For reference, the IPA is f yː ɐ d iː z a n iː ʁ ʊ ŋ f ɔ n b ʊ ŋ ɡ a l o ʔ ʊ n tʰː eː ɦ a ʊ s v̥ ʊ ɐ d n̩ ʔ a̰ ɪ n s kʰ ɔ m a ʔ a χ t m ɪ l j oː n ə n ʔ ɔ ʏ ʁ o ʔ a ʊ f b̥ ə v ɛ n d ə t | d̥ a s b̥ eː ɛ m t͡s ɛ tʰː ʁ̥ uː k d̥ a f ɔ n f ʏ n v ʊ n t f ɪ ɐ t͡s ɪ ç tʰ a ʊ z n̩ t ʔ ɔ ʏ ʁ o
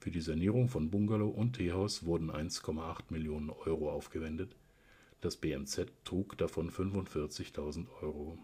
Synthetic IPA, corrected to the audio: f yː ɐ d iː z a n iː ʁ ʊ ŋ f ɔ n b ʊ ŋ ɡ a l o ʔ ʊ n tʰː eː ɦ a ʊ s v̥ ʊ ɐ d n̩ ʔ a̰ ɪ n s kʰ ɔ m a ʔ a χ t m ɪ l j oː n ə n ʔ ɔ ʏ ʁ o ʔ a ʊ f ɡ̥ ə v ɛ n d ə t | d̥ a s b̥ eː ɛ m t͡s ɛ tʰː ʁ̥ uː k d̥ a f ɔ n f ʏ n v ʊ n t f ɪ ɐ t͡s ɪ ç tʰ a ʊ z n̩ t ʔ ɔ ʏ ʁ o